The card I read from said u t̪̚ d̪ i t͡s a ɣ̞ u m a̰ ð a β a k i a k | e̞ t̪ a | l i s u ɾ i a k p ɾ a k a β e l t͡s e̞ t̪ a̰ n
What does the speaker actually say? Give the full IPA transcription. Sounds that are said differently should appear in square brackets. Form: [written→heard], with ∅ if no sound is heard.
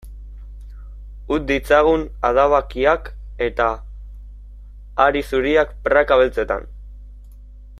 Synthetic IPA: u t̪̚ d̪ i t͡s a ɣ̞ u [m→n] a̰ ð a β a k i a k | e̞ t̪ a | [l→ɾ] i s u ɾ i a k p ɾ a k a β e l t͡s e̞ t̪ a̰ n

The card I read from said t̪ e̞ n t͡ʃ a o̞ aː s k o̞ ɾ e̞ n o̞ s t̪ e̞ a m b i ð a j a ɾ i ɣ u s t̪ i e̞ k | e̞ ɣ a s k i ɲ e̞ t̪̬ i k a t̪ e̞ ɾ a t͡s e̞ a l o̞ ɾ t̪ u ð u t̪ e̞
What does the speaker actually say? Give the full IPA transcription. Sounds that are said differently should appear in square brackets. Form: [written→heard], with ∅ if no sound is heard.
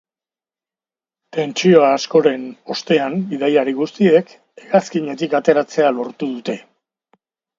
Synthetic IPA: t̪ e̞ n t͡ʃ [a→i] o̞ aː s k o̞ ɾ e̞ n o̞ s t̪ e̞ a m b i ð a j a ɾ i ɣ u s t̪ i e̞ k | e̞ ɣ a s k i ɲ e̞ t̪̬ i k a t̪ e̞ ɾ a t͡s e̞ a l o̞ ɾ t̪ u ð u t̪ e̞

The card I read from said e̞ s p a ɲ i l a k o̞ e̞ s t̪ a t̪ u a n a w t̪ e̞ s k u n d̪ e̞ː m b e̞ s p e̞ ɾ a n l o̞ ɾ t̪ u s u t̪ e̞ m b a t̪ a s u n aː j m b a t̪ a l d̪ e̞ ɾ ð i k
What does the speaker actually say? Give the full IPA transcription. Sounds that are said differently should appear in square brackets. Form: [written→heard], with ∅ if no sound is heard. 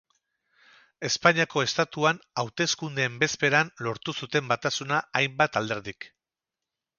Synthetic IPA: e̞ s p a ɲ i [l→∅] a k o̞ e̞ s t̪ a t̪ u a n a w t̪ e̞ s k u n d̪ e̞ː m b e̞ s p e̞ ɾ a n l o̞ ɾ t̪ u s u t̪ e̞ m b a t̪ a s u n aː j m b a t̪ a l d̪ e̞ ɾ ð i k

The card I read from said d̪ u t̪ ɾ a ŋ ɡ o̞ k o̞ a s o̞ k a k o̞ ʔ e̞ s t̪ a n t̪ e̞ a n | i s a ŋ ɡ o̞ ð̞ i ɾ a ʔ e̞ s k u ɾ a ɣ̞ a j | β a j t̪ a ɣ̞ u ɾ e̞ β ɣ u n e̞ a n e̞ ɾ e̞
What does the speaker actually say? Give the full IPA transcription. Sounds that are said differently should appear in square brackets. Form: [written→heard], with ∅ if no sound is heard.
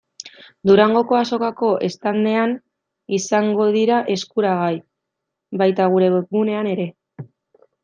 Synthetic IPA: d̪ u [t̪→∅] ɾ a ŋ ɡ o̞ k o̞ a s o̞ k a k o̞ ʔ e̞ s t̪ a n [t̪→d̪] e̞ a n | i s a ŋ ɡ o̞ ð̞ i ɾ a ʔ e̞ s k u ɾ a ɣ̞ a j | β a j t̪ a ɣ̞ u ɾ e̞ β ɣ u n e̞ a n e̞ ɾ e̞

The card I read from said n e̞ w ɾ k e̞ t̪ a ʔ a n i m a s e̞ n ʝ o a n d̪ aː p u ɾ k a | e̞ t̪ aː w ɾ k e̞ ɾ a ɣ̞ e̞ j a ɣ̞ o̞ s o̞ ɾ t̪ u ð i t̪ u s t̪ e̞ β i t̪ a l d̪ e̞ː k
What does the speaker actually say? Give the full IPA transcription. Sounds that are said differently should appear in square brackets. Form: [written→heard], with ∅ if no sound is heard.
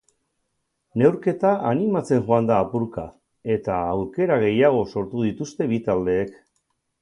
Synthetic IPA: n e̞ w ɾ k e̞ t̪ a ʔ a n i m a [s→t͡s] e̞ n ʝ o a n d̪ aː p u ɾ k a | e̞ t̪ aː w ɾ k e̞ ɾ a ɣ̞ e̞ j a ɣ̞ o̞ s o̞ ɾ t̪ u ð i t̪ u s t̪ e̞ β i t̪ a l d̪ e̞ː k

